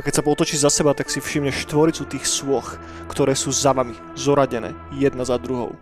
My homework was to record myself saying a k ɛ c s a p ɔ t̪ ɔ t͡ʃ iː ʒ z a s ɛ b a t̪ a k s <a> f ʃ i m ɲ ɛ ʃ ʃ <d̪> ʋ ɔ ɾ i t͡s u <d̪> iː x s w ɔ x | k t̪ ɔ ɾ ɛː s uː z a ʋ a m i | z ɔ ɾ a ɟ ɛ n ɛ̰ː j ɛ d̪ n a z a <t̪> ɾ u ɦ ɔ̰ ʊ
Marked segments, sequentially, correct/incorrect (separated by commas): incorrect, incorrect, incorrect, incorrect